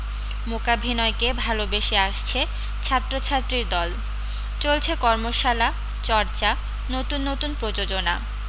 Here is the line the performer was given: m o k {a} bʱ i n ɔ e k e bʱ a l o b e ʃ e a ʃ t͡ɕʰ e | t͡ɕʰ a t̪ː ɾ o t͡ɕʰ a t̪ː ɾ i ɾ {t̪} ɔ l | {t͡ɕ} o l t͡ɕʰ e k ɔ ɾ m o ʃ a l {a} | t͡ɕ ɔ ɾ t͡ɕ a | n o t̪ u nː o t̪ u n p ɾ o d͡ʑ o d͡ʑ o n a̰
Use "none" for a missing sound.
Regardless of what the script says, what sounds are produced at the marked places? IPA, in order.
a, d̪, t͡ɕ, a

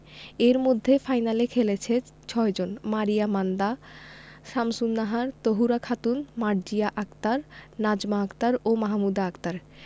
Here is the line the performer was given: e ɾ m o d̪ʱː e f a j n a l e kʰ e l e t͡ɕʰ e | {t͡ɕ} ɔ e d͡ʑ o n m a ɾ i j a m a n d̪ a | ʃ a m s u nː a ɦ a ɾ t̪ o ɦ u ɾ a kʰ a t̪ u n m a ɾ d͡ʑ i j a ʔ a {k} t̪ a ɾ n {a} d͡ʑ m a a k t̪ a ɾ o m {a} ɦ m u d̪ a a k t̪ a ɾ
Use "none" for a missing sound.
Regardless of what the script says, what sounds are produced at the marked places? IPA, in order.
t͡ɕʰ, k, a, a

